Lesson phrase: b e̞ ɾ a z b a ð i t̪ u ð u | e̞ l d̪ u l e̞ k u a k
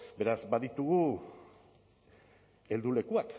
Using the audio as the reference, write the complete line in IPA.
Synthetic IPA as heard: b e̞ ɾ a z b a ð i t̪ u ɣ u | e̞ l d̪ u l e̞ k u a k